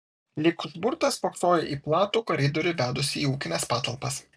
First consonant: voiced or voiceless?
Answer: voiced